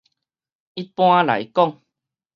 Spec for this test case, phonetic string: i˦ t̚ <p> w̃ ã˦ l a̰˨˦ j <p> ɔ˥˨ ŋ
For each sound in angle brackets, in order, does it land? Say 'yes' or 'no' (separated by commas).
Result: yes, no